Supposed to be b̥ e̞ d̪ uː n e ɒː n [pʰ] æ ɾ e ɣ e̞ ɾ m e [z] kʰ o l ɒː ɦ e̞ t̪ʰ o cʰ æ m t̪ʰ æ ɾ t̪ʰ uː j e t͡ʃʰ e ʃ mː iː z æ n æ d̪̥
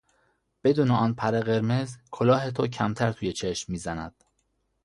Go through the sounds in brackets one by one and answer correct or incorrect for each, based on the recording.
correct, correct

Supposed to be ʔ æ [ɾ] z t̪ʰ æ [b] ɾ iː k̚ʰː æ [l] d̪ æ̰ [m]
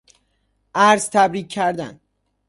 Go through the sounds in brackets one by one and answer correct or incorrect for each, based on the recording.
correct, correct, incorrect, incorrect

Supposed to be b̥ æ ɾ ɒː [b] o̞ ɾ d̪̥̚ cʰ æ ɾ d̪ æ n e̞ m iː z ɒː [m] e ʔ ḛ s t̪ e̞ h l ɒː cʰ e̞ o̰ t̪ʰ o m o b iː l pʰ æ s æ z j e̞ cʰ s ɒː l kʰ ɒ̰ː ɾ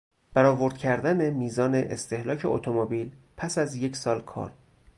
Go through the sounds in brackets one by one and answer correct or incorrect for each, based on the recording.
incorrect, incorrect

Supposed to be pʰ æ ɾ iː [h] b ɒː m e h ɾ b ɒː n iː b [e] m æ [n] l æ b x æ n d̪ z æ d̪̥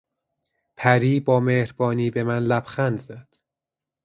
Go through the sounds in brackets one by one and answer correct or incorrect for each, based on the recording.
incorrect, correct, correct

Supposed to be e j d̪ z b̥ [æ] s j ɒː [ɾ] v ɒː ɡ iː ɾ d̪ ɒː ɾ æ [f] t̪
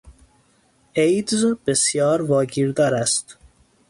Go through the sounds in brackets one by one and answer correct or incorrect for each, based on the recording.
incorrect, correct, incorrect

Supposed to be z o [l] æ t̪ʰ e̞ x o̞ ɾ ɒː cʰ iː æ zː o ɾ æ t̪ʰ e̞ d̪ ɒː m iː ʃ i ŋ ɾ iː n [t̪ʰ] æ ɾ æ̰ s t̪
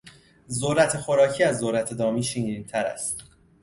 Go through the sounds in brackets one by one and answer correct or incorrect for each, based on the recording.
incorrect, correct

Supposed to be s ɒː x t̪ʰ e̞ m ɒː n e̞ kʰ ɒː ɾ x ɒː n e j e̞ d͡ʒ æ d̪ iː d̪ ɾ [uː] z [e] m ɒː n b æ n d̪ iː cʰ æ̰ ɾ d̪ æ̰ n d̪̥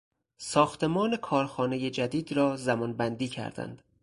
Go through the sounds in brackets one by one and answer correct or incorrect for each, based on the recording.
incorrect, incorrect

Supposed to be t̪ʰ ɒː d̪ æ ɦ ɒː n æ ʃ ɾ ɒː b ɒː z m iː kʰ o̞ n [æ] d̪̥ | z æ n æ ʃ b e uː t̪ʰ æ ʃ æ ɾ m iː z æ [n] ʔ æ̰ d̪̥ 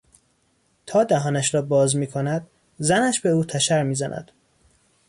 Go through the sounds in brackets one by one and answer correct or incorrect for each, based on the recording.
correct, correct

